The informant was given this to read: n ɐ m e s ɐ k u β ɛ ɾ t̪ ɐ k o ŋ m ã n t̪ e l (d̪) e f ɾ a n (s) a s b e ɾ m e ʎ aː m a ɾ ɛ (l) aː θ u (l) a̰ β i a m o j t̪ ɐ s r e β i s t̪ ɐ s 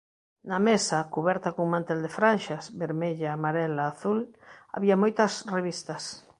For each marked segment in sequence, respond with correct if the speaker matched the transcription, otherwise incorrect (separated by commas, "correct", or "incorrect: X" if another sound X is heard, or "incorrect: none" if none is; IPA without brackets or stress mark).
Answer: correct, incorrect: ʃ, correct, correct